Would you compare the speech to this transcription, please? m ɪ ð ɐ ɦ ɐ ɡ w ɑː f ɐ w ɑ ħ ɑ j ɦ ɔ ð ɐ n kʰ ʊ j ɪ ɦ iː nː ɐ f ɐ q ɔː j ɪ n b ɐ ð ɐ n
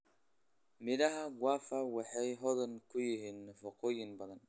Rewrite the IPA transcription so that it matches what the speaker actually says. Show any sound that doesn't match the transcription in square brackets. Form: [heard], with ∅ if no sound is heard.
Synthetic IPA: m ɪ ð ɐ ɦ ɐ ɡ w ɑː f ɐ w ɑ ħ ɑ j ɦ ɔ ð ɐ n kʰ ʊ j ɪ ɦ iː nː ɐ f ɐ q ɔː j ɪ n b ɐ ð ɐ n

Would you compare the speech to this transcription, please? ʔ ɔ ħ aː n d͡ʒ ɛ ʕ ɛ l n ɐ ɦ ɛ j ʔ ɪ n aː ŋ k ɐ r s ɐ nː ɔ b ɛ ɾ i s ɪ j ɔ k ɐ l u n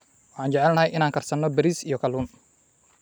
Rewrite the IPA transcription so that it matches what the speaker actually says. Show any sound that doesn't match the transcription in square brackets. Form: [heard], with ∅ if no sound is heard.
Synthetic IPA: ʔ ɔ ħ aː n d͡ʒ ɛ ʕ ɛ l n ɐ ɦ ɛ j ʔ ɪ n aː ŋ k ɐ r s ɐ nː ɔ b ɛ ɾ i s [i] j ɔ k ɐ l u n

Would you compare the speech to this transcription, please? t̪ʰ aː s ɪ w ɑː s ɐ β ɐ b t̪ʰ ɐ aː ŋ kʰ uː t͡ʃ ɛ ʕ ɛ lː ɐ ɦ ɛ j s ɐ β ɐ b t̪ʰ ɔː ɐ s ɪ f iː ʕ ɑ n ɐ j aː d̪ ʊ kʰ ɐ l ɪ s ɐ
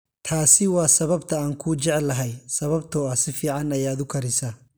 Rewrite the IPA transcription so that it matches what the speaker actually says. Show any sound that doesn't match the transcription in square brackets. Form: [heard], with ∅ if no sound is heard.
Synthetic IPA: t̪ʰ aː s ɪ w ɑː s ɐ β ɐ b t̪ʰ ɐ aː ŋ kʰ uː t͡ʃ ɛ ʕ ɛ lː ɐ ɦ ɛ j s ɐ β ɐ b t̪ʰ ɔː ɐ s ɪ f iː ʕ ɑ n ɐ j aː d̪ ʊ kʰ ɐ [ɾ] ɪ s ɐ

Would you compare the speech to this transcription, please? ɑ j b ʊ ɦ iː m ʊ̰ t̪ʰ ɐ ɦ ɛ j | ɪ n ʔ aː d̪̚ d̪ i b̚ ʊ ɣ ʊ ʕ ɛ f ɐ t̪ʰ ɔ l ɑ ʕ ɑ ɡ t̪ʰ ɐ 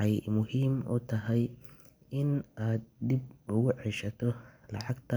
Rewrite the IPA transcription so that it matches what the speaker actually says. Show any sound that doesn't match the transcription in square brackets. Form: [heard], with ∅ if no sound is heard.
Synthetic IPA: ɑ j [m] ʊ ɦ iː m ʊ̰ t̪ʰ ɐ ɦ ɛ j | ɪ n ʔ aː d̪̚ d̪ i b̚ ʊ ɣ ʊ ʕ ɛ [ʃ] ɐ t̪ʰ ɔ l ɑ ʕ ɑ ɡ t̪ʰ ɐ

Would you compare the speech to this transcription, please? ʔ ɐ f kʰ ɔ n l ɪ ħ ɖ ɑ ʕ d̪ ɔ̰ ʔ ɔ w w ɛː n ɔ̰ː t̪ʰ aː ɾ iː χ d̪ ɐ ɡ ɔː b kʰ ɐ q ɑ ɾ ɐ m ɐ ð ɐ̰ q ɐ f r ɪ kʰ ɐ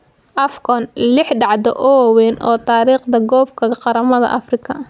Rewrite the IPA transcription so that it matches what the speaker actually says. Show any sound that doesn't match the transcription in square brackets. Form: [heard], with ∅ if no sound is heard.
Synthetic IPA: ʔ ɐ f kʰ ɔ n l ɪ ħ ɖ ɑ ʕ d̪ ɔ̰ ʔ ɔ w w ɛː n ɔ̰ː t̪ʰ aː ɾ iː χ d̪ ɐ ɡ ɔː b kʰ ɐ q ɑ ɾ ɐ m ɐ ð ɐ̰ [ʔ] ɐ f r ɪ kʰ ɐ

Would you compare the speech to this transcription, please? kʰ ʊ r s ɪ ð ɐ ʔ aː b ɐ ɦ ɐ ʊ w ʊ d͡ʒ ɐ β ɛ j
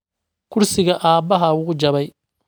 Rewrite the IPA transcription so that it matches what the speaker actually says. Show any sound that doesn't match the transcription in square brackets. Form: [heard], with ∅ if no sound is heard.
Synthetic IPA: kʰ ʊ r s ɪ [ɣ] ɐ ʔ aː b ɐ ɦ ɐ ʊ [ɣ] ʊ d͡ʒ ɐ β ɛ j

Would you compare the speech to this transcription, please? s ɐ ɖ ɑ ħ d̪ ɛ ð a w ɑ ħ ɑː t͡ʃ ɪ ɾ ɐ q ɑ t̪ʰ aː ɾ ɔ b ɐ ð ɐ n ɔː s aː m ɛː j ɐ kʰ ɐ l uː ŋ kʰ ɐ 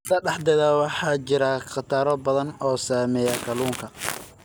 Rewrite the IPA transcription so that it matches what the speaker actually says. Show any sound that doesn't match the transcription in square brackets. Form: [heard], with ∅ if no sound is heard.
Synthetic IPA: s ɐ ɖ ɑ ħ d̪ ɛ ð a w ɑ ħ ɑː t͡ʃ ɪ ɾ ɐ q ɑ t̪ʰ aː ɾ ɔ b ɐ ð ɐ n ɔː s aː m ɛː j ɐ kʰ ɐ l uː ŋ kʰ ɐ

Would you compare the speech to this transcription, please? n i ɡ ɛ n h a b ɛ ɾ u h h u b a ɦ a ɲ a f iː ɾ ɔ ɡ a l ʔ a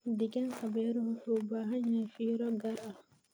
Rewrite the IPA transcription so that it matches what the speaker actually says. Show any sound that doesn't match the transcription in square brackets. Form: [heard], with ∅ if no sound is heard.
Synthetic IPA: [d] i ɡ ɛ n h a b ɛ ɾ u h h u b a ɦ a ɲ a f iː ɾ ɔ ɡ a [ɾ] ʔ a

